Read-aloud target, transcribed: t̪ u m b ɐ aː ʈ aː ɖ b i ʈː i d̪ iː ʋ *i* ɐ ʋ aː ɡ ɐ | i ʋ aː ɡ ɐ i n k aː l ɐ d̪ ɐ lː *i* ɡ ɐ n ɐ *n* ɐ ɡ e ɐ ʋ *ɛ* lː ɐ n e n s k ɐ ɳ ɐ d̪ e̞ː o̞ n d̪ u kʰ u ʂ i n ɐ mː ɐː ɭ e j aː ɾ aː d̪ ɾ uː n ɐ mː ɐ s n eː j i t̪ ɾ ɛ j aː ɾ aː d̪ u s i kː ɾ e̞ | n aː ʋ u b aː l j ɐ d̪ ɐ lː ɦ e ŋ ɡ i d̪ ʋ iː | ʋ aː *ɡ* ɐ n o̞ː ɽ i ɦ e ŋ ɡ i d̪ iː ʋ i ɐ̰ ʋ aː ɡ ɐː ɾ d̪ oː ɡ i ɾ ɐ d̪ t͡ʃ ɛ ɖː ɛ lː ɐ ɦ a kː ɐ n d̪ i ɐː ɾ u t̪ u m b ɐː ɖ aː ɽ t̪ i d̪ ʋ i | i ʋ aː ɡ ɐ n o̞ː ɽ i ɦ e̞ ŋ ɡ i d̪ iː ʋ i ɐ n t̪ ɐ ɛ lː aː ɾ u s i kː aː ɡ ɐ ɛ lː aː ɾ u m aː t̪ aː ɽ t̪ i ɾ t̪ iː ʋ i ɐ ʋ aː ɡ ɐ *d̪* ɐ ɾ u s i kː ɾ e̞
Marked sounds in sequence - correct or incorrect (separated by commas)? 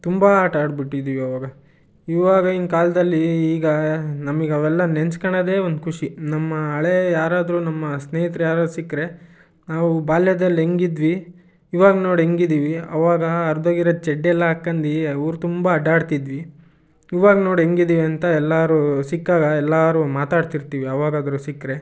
correct, incorrect, incorrect, correct, correct, correct